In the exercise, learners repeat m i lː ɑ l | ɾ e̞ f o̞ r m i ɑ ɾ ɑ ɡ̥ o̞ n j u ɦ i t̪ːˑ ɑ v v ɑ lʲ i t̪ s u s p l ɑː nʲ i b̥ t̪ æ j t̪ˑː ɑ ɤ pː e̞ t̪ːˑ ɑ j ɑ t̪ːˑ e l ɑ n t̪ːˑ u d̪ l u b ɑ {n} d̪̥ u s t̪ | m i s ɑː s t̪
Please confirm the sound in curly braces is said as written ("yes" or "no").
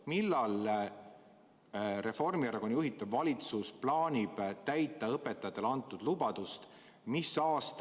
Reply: no